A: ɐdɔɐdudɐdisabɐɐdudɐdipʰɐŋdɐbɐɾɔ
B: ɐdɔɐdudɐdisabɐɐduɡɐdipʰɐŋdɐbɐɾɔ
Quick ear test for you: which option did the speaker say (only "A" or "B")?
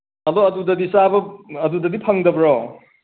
A